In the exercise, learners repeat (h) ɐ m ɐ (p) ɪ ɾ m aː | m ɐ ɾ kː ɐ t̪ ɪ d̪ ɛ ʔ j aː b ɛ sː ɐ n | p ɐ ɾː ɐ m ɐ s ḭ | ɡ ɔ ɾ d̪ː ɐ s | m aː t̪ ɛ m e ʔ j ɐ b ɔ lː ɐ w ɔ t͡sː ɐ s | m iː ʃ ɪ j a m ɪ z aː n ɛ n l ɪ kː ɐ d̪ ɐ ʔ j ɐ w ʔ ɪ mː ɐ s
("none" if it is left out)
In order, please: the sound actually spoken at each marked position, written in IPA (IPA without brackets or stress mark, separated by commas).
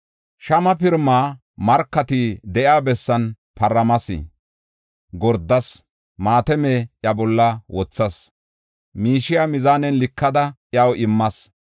ʃ, p